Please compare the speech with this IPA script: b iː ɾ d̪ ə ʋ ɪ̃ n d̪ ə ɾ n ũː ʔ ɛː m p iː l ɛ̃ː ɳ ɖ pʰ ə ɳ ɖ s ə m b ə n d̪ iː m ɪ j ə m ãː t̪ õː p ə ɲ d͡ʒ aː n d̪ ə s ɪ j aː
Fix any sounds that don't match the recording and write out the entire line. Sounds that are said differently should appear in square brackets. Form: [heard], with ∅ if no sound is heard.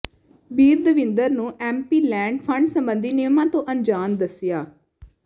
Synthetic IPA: b iː ɾ d̪ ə ʋ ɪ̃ n d̪ ə ɾ n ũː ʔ ɛː m p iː l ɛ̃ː ɳ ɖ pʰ ə ɳ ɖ s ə m b ə n d̪ iː [n] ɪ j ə m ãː t̪ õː [ʔ] ə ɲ d͡ʒ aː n d̪ ə s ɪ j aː

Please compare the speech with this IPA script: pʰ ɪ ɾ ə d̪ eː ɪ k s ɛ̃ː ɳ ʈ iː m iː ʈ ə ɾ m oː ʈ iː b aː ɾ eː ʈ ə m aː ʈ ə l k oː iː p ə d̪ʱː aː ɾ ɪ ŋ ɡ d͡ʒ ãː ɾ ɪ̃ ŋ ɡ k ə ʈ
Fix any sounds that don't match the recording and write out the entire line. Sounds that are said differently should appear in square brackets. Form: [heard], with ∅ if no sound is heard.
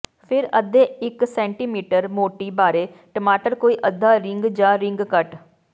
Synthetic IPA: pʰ ɪ ɾ ə d̪ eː ɪ k s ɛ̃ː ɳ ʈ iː m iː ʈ ə ɾ m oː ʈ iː b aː ɾ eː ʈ ə m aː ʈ ə [ɾ] k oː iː [ʔ] ə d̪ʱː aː ɾ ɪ ŋ ɡ d͡ʒ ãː ɾ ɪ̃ ŋ ɡ k ə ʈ

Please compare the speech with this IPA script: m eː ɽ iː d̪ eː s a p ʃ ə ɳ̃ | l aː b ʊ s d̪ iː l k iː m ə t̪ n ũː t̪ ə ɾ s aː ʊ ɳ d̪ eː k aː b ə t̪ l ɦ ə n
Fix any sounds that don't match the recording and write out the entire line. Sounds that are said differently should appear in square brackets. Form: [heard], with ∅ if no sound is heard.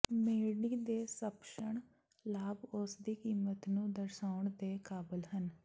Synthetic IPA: m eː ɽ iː d̪ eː s [ə] p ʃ ə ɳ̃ | l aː b ʊ s d̪ iː [∅] k iː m ə t̪ n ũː [d̪] ə ɾ s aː ʊ ɳ d̪ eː k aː b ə [∅] l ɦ ə n

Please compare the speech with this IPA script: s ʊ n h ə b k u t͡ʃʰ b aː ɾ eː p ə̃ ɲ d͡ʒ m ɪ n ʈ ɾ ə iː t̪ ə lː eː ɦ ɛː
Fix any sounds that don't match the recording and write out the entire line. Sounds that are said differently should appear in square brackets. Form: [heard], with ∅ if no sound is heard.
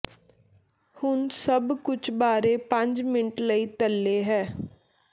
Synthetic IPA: [h] ʊ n [s] ə b k [ʊ] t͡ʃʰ b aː ɾ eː p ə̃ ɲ d͡ʒ m ɪ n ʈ [l] ə iː t̪ ə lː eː ɦ ɛː

